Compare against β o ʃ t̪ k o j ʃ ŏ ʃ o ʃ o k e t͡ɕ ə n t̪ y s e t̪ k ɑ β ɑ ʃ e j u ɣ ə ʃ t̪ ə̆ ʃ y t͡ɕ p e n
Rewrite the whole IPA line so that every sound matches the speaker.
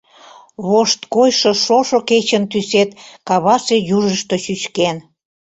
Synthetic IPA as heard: β o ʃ t̪ k o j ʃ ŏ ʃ o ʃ o k e t͡ɕ ə n t̪ y s e t̪ k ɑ β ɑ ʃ e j u ʒ ə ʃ t̪ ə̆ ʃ y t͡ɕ k e n